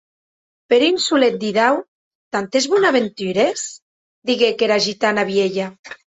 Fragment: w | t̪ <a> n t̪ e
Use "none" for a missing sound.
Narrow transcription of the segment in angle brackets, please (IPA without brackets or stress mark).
a